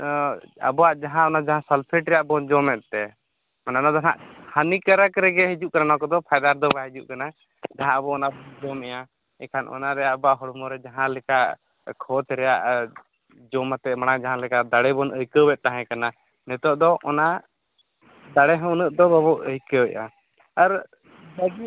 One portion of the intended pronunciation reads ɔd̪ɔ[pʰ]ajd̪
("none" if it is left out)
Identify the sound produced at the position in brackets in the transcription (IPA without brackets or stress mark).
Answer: pʰ